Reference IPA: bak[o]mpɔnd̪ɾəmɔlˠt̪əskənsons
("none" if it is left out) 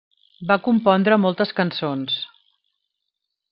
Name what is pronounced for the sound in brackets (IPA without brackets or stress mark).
u